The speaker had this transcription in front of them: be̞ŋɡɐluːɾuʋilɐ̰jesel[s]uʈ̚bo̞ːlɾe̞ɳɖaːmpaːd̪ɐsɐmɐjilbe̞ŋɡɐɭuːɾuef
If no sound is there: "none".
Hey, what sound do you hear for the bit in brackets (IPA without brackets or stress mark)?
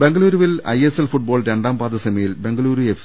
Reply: f